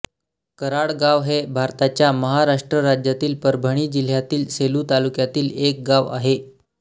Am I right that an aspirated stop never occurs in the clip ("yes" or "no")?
yes